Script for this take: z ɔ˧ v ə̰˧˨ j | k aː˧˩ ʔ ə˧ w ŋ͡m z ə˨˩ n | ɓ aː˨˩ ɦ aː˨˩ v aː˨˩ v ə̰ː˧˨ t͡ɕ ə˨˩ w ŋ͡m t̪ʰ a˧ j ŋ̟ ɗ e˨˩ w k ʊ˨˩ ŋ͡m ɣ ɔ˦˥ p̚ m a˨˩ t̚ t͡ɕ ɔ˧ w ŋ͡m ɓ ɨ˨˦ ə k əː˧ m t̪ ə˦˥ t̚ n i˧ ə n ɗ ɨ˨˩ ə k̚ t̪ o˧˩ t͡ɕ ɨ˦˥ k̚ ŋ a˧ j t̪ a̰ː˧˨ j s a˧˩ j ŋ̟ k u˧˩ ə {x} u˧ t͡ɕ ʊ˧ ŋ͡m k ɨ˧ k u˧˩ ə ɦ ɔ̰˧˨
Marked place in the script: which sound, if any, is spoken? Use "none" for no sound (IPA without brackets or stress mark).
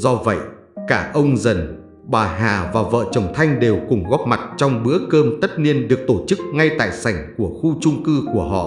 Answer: x